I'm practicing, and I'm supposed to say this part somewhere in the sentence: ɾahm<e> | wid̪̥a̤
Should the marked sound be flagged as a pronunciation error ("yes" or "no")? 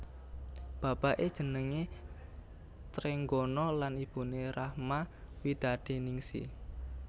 yes